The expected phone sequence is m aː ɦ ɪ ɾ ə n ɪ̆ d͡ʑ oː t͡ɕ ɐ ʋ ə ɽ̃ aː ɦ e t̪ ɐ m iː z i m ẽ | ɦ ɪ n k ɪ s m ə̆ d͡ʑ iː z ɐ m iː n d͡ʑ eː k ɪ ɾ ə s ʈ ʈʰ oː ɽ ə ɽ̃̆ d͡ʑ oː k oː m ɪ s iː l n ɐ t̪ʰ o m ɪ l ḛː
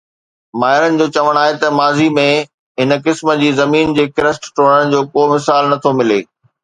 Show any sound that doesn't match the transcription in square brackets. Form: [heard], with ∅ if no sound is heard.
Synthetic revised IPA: m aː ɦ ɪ ɾ ə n ɪ̆ d͡ʑ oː t͡ɕ ɐ ʋ ə ɽ̃ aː ɦ e t̪ ɐ m [aː] z i m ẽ | ɦ ɪ n k ɪ s m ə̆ d͡ʑ iː z ɐ m iː n d͡ʑ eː k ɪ ɾ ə s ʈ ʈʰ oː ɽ ə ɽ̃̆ d͡ʑ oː k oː m ɪ s [aː] l n ɐ t̪ʰ o m ɪ l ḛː